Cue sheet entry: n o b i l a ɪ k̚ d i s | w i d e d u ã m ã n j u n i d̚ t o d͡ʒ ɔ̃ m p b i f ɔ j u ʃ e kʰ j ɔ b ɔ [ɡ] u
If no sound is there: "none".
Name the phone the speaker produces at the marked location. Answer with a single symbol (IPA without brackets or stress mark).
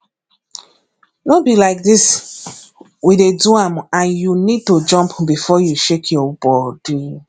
d